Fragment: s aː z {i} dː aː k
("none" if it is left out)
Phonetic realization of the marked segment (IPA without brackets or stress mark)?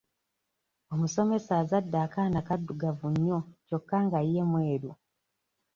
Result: a